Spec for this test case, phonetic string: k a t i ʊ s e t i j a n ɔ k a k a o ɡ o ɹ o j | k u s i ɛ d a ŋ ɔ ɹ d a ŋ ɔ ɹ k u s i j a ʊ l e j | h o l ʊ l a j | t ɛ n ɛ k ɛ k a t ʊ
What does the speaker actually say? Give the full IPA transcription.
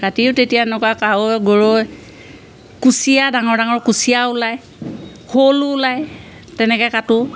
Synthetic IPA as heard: k a t i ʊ t e t i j a n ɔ k a k a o ɡ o ɹ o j | k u s i a d a ŋ ɔ ɹ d a ŋ ɔ ɹ k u s i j a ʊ l a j | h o l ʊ l a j | t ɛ n ɛ k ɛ k a t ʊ